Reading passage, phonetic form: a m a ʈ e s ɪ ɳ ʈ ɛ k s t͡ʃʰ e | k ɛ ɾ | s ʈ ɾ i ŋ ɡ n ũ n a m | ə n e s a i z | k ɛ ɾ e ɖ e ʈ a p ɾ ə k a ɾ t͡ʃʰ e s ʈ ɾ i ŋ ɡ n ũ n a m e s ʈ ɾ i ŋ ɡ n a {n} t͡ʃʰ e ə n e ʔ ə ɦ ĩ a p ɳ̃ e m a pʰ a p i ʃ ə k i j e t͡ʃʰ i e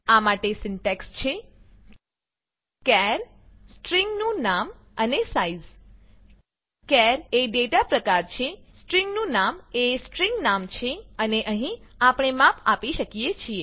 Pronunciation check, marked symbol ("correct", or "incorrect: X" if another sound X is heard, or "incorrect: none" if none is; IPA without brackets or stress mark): incorrect: m